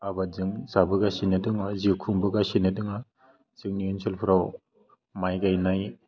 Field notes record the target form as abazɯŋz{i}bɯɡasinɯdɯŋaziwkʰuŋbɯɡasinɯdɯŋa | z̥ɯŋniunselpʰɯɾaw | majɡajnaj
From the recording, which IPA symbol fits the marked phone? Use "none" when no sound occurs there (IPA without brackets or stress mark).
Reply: a